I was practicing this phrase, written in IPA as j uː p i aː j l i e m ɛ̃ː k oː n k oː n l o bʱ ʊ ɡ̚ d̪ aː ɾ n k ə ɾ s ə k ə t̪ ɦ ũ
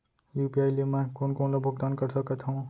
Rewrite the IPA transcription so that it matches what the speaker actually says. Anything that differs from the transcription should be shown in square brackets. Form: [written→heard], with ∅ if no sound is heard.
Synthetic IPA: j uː p i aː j l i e m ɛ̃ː k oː n k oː n l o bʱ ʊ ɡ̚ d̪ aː [ɾ→∅] n k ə ɾ s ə k ə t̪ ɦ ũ

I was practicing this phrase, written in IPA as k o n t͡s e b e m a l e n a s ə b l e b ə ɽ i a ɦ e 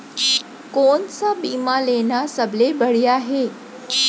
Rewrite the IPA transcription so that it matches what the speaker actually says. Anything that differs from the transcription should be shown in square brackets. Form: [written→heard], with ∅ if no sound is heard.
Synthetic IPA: k o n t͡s [e→a] b [e→i] m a l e n a s ə b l e b ə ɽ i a ɦ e

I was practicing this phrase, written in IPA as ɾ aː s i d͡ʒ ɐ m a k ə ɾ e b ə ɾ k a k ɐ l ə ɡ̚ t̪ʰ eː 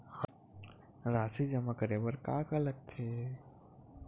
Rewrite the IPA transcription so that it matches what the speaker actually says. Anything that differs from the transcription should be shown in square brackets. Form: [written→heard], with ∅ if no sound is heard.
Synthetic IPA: ɾ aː s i d͡ʒ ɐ m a k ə ɾ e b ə ɾ k a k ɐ l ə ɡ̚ t̪ʰ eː

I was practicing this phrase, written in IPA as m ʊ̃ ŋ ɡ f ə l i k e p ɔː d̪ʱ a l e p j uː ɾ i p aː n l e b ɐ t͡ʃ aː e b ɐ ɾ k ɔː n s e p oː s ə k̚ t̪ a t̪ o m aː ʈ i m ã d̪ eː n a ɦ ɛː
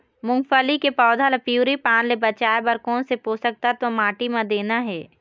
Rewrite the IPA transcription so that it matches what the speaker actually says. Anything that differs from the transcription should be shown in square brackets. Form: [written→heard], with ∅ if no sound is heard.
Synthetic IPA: m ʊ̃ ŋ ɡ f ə l i k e p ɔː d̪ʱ a l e p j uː ɾ i p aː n l e b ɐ t͡ʃ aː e b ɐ ɾ k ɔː n s e p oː s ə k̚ t̪ a t̪ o m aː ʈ i m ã d̪ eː n a ɦ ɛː

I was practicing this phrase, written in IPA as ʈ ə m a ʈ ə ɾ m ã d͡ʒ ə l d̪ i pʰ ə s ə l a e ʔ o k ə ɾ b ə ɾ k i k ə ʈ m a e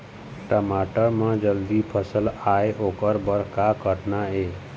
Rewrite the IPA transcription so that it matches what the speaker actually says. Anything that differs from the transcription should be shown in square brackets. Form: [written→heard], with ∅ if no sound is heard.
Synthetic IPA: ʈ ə m a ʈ ə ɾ m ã d͡ʒ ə l d̪ i pʰ ə s ə l a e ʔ o k ə ɾ b ə ɾ k [i→a] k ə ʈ [m→n] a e

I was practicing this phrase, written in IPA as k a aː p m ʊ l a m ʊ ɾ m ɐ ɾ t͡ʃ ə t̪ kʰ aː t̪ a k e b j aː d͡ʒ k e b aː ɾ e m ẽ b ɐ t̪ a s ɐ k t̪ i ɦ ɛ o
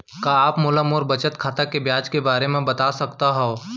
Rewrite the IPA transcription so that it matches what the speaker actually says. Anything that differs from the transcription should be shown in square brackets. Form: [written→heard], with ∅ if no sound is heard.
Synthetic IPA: k a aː p m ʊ l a m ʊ ɾ [m→b] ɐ [ɾ→∅] t͡ʃ ə t̪ kʰ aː t̪ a k e b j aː d͡ʒ k e b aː ɾ e m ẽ b ɐ t̪ a s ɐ k t̪ [i→a] ɦ ɛ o

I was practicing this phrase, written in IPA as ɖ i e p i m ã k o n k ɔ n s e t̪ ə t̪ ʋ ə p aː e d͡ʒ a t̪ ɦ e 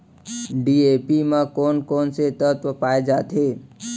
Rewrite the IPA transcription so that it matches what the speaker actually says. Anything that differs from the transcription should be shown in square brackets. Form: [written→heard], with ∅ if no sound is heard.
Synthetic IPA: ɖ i e p i m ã k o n k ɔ n s e t̪ ə t̪ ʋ ə p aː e d͡ʒ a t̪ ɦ e

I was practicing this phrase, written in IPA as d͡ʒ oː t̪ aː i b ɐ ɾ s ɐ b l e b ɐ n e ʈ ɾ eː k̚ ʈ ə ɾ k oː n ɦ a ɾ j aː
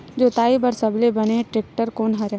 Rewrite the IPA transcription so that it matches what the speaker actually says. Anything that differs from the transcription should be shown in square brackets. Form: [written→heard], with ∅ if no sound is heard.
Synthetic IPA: d͡ʒ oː t̪ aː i b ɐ ɾ s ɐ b l e b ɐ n e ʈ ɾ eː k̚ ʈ ə ɾ k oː n ɦ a ɾ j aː

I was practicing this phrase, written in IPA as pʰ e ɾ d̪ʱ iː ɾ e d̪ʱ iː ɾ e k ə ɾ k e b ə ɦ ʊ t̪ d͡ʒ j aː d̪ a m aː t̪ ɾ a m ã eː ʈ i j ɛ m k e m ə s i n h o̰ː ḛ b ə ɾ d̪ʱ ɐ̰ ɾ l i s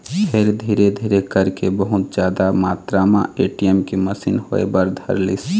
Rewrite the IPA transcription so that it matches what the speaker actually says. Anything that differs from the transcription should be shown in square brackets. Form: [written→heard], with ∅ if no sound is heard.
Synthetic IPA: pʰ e ɾ d̪ʱ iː ɾ e d̪ʱ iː ɾ e k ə ɾ k e b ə ɦ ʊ t̪ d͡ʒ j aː d̪ a m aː t̪ ɾ a m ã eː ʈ i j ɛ m k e m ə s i n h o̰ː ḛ b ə ɾ d̪ʱ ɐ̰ ɾ l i s

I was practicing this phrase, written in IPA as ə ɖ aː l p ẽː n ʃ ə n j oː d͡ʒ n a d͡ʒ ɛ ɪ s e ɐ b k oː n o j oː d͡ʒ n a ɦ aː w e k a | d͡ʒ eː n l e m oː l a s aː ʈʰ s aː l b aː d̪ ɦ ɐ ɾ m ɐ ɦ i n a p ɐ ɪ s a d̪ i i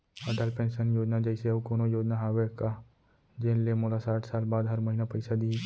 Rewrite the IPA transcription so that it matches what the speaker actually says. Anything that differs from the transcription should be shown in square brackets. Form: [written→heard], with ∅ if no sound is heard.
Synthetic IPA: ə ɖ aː l p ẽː n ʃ ə n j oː d͡ʒ n a d͡ʒ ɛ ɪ s e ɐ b k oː n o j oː d͡ʒ n a ɦ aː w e k a | d͡ʒ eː n l e m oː l a s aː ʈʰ s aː l b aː d̪ ɦ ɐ ɾ m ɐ ɦ i n a p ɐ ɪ s a d̪ i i

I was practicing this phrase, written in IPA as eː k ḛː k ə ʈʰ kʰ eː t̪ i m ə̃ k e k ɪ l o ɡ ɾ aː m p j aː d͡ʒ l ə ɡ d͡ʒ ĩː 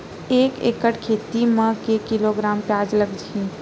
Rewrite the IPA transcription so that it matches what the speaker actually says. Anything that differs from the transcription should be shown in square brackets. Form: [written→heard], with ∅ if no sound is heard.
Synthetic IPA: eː k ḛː k ə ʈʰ kʰ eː t̪ i m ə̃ k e k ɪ l o ɡ ɾ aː m p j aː d͡ʒ l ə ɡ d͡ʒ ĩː

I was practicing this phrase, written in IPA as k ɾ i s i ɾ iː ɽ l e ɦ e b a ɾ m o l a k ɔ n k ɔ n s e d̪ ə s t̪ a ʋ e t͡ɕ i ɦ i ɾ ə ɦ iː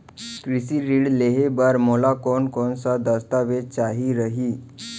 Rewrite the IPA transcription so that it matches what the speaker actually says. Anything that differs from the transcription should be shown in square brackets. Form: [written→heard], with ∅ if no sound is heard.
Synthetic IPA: k ɾ i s i ɾ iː ɽ l e ɦ e b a ɾ m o l a k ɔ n k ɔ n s [e→a] d̪ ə s t̪ a ʋ e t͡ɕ [i→a] ɦ i ɾ ə ɦ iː

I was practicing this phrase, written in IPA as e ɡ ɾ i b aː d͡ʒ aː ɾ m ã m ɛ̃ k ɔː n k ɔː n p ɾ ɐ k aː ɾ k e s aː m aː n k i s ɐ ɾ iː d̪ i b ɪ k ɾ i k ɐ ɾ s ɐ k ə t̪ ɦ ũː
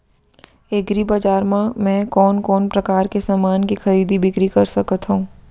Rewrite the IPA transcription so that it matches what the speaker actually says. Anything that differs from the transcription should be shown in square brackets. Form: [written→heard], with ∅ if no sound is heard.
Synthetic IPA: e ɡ ɾ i b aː d͡ʒ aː ɾ m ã m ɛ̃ k ɔː n k ɔː n p ɾ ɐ k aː ɾ k e s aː m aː n k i [s→x] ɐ ɾ iː d̪ i b ɪ k ɾ i k ɐ ɾ s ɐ k ə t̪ ɦ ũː

